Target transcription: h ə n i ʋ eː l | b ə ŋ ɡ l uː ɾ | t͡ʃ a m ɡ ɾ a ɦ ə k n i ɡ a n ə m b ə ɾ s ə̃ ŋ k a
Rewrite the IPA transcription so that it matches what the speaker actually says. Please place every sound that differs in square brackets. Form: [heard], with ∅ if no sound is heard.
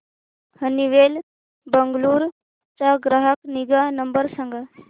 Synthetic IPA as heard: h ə n i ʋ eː l | b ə ŋ ɡ l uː ɾ | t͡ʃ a [∅] ɡ ɾ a ɦ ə k n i ɡ a n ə m b ə ɾ s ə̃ ŋ [ɡ] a